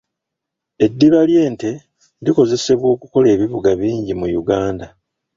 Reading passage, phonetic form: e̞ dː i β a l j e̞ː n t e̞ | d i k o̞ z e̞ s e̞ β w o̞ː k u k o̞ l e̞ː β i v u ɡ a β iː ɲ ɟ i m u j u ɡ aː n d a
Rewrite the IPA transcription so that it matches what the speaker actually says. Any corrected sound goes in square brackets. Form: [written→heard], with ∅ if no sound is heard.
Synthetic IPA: e̞ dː i β a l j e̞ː n t e̞ | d i k o̞ z e̞ s e̞ β w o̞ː k u k o̞ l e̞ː β i [v→β] u ɡ a β iː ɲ ɟ i m u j u ɡ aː n d a